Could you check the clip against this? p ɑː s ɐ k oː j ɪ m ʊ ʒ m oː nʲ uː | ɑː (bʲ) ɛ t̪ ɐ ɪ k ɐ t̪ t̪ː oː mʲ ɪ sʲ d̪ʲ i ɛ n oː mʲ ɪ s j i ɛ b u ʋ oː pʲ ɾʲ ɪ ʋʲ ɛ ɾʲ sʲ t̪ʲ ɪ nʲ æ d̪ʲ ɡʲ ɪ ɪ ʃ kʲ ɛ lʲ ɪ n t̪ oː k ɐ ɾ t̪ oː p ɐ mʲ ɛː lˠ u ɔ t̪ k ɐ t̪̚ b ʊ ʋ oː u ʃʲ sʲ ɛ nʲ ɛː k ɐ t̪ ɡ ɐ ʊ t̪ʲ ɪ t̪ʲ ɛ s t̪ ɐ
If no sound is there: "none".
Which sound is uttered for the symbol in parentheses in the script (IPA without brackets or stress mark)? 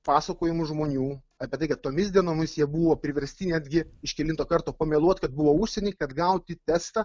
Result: pʲ